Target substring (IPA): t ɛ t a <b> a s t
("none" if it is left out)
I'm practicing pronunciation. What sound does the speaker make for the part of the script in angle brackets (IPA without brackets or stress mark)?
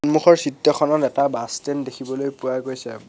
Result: b